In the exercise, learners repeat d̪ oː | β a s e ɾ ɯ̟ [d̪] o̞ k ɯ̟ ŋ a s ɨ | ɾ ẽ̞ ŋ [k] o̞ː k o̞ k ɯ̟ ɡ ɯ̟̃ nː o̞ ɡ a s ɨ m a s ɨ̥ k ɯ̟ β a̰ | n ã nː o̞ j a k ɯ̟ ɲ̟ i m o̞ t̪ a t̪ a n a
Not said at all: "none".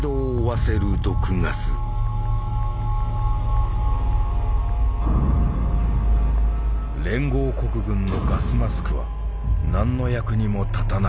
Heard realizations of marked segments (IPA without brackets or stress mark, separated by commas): d̪, ɡ